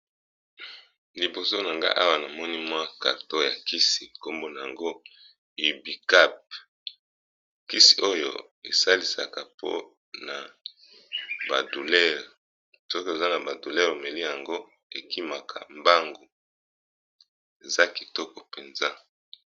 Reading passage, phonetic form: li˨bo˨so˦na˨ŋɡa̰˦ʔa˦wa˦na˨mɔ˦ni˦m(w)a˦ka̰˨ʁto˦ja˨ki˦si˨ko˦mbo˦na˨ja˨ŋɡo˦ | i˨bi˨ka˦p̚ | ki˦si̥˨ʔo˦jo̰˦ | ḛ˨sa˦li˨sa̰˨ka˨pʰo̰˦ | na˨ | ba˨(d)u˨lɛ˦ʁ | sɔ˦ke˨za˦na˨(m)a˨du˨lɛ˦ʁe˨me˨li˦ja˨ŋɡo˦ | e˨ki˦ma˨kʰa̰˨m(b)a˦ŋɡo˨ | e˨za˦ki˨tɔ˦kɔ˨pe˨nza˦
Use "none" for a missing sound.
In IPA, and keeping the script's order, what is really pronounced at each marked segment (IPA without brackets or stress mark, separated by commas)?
w, d, b, b